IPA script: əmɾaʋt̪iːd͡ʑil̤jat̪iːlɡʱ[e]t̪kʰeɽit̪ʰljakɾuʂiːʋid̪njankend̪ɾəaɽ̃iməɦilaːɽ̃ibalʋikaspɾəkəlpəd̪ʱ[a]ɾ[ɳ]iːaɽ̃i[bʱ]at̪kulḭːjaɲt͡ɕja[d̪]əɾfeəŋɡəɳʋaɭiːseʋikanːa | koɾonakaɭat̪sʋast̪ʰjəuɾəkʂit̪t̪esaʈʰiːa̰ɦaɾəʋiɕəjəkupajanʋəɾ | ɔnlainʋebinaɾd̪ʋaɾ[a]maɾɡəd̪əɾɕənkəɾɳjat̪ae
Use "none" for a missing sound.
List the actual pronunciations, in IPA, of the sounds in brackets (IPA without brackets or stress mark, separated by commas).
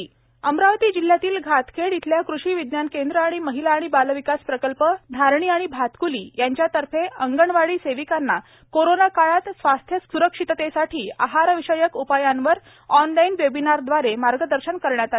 a, a, ɳ, bʱ, t̪, e